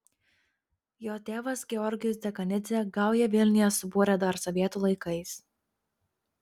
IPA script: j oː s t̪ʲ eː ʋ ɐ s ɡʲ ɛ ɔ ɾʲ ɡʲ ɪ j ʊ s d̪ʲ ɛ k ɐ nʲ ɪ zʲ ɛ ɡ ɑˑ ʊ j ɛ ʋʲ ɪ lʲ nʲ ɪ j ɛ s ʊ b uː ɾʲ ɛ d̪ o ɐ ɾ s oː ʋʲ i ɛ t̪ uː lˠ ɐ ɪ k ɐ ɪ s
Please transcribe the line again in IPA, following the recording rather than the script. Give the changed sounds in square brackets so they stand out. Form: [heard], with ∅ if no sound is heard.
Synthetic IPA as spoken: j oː [∅] t̪ʲ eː ʋ ɐ s ɡʲ ɛ ɔ ɾʲ ɡʲ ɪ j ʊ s d̪ʲ ɛ k ɐ nʲ ɪ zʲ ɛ ɡ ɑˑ ʊ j ɛ ʋʲ ɪ lʲ nʲ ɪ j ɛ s ʊ b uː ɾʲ ɛ d̪ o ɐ ɾ s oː ʋʲ i ɛ t̪ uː lˠ ɐ ɪ k ɐ ɪ s